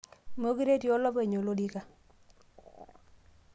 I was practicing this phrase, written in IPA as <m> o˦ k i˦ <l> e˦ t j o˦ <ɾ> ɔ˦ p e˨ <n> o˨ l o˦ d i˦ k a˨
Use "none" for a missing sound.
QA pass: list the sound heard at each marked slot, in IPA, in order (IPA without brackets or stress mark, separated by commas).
m, ɾ, l, ɲ